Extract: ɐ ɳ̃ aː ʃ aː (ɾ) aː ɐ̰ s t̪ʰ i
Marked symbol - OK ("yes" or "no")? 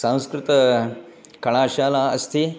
no